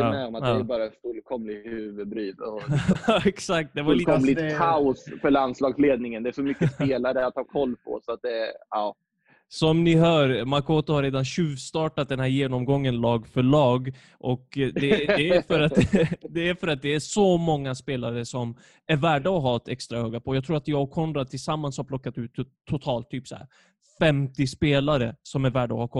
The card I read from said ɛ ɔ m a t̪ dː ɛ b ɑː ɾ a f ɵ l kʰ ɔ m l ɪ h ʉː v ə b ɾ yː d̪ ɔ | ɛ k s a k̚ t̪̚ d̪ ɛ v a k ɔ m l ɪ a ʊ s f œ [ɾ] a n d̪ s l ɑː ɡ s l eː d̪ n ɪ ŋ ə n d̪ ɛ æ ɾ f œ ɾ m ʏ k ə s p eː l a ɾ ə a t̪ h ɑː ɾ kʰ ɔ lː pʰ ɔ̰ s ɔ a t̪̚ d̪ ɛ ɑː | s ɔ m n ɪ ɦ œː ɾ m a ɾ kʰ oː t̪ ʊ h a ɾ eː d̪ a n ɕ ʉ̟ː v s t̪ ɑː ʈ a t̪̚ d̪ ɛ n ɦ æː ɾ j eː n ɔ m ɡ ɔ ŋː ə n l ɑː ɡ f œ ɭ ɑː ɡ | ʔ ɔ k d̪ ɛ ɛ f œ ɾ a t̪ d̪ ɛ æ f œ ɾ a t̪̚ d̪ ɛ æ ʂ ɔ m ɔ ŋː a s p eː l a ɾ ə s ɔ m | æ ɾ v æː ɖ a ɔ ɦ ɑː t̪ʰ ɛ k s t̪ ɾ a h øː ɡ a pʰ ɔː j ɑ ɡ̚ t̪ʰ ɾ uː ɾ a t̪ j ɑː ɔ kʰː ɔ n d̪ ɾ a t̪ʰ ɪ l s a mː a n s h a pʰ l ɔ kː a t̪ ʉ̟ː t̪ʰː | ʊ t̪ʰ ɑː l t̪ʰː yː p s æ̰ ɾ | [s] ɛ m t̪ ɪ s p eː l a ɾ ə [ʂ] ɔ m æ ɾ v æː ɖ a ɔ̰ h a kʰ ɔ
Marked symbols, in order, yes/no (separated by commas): no, no, no